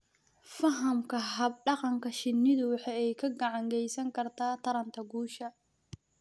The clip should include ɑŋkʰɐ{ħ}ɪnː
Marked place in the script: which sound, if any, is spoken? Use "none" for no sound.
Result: ʃ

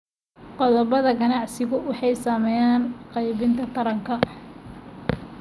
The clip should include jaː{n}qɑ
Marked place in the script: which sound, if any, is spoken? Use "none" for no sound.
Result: n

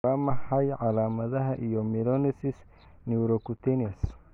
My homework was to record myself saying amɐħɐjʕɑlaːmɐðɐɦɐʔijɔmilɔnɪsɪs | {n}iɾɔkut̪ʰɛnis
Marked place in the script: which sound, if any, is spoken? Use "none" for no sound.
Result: n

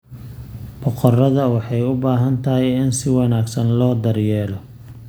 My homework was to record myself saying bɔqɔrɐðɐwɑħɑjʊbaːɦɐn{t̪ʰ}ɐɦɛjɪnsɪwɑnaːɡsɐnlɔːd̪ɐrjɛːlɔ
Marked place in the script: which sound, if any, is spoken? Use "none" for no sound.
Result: t̪ʰ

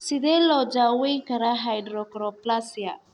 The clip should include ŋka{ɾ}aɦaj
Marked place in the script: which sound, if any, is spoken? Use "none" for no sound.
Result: ɾ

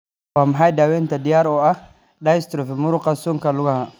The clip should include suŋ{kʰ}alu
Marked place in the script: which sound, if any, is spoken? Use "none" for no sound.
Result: k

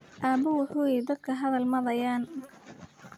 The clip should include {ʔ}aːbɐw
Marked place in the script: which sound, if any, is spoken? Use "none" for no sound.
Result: ʔ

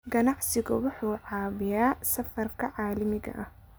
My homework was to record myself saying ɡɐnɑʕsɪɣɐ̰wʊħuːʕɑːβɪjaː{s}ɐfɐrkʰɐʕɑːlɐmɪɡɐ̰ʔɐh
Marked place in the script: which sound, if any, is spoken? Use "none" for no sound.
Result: s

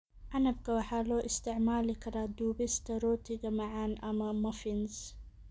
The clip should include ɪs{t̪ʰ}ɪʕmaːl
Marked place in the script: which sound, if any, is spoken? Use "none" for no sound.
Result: t̪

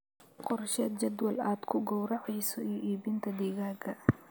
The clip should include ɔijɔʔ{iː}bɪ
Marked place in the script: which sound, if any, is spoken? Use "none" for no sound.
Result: iː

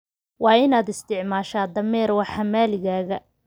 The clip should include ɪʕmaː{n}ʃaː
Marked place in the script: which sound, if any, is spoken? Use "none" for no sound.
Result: none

